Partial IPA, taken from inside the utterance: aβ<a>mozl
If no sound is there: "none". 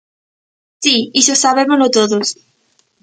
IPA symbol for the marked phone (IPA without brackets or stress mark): e